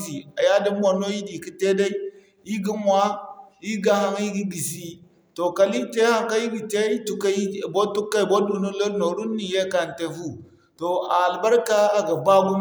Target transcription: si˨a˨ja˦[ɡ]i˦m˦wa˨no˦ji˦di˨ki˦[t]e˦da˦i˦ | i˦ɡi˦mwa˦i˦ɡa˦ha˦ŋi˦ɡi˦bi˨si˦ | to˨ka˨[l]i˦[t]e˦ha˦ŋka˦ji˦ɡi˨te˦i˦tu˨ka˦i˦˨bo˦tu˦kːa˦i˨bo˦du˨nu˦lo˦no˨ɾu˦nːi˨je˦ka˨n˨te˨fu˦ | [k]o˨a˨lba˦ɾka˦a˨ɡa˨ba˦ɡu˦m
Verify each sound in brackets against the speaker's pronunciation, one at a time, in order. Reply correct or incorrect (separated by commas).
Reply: incorrect, correct, correct, correct, incorrect